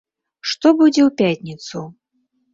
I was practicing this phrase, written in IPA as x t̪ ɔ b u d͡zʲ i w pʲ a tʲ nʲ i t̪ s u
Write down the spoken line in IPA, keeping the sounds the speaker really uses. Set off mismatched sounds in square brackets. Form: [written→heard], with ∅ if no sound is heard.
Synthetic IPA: [x→ʂ] t̪ ɔ b u d͡zʲ [i→ɛ] w pʲ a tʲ nʲ i t̪ s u